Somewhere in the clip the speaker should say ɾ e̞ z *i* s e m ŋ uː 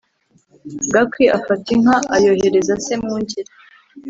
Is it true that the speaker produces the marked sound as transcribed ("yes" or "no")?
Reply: no